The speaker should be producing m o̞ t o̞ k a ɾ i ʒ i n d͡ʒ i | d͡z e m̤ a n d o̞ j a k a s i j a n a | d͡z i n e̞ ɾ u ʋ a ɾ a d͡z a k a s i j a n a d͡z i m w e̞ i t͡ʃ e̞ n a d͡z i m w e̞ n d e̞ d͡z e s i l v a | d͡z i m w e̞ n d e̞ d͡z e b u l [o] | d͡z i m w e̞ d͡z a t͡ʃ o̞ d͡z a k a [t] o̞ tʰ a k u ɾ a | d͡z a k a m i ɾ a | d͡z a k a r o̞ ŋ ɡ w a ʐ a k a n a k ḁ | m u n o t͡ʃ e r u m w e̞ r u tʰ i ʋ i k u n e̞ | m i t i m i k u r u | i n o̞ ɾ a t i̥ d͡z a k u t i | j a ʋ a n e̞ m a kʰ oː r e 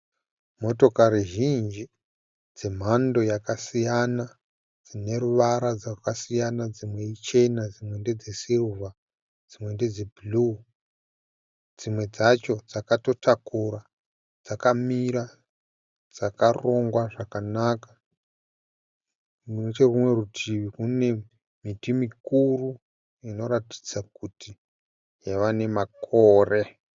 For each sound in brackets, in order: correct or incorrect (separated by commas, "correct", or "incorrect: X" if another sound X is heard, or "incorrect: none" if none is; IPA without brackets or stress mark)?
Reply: incorrect: u, correct